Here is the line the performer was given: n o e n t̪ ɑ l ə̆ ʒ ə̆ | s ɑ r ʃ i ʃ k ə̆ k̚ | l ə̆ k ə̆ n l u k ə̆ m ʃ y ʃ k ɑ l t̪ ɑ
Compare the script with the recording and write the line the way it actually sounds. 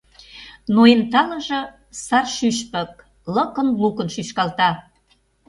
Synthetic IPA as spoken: n o e n t̪ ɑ l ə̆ ʒ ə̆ | s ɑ r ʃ y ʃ p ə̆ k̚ | l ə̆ k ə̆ n l u k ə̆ n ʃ y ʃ k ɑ l t̪ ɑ